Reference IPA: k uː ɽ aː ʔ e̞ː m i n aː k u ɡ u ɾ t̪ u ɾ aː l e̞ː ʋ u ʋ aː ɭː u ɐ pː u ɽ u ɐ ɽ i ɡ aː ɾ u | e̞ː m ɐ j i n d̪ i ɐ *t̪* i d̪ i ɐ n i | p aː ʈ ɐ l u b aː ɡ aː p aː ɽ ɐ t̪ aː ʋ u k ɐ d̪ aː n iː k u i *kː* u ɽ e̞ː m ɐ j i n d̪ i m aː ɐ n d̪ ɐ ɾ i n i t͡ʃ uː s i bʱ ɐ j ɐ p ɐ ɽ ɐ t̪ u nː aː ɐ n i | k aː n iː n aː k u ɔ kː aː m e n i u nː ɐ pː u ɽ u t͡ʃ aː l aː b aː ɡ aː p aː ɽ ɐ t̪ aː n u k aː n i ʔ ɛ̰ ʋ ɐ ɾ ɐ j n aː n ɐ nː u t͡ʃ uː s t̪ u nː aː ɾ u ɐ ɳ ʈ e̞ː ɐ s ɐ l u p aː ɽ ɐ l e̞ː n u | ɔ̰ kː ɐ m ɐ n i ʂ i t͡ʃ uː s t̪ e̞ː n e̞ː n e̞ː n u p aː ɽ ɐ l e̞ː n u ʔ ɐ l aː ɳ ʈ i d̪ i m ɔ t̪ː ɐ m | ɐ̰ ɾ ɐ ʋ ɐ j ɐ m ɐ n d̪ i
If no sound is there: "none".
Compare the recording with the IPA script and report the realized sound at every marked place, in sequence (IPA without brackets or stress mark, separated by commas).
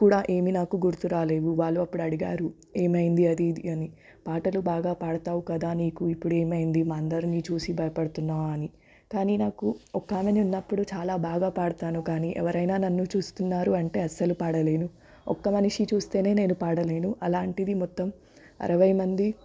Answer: d̪, pː